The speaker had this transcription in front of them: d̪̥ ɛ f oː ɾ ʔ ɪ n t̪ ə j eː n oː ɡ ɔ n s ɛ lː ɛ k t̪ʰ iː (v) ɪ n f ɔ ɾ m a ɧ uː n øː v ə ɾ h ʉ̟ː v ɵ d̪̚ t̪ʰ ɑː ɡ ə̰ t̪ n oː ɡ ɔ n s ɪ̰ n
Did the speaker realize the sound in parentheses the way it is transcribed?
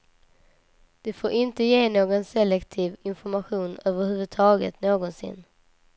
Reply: yes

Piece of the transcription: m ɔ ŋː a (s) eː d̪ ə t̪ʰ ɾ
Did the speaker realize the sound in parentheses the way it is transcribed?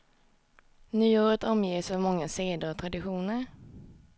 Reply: yes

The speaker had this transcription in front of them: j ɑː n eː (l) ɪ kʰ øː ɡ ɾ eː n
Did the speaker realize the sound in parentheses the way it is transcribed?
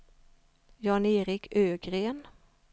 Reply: no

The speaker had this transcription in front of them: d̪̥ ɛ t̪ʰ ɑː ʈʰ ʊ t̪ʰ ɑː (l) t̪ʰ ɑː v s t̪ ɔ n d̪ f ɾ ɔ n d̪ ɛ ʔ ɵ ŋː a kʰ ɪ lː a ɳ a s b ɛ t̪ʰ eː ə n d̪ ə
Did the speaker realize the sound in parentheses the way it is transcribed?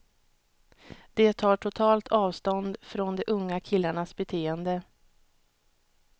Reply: yes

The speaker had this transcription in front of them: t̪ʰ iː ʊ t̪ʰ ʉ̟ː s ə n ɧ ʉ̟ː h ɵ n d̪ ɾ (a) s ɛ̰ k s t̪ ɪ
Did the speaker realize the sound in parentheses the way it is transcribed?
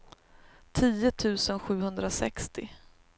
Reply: yes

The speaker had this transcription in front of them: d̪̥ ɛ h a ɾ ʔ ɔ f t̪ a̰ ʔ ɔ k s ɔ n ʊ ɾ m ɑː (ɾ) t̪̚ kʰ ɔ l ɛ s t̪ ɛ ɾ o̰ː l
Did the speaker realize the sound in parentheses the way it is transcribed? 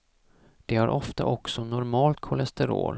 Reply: no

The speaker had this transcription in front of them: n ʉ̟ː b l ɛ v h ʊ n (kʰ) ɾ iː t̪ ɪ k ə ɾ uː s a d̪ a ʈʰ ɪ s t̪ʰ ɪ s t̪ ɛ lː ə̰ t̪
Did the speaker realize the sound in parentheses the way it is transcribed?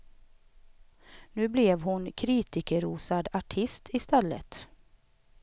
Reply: yes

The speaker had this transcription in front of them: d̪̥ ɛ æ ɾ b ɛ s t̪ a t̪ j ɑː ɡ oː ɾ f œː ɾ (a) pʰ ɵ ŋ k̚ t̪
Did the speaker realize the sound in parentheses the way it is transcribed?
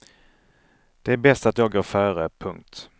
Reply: no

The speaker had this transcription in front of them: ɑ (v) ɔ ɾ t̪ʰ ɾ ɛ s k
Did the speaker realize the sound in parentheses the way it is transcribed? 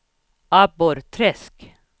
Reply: no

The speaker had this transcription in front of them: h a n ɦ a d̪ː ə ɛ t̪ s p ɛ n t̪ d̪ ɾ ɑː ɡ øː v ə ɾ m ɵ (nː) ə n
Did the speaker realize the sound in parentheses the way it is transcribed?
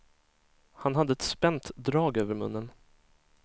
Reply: yes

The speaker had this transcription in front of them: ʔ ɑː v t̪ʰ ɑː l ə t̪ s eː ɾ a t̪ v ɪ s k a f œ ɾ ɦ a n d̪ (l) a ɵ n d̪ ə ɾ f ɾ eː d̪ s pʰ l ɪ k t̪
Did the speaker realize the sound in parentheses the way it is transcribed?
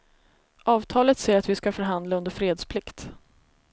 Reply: yes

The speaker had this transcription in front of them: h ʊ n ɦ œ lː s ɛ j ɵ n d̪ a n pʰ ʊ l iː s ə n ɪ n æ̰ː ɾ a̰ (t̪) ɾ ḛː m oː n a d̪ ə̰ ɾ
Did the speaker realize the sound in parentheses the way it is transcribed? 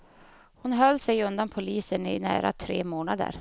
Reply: no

